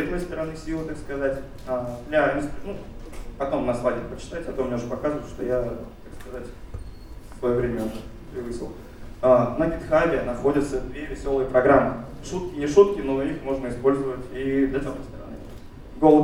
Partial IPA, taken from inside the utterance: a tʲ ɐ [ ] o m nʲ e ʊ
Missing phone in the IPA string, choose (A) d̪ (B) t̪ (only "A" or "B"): B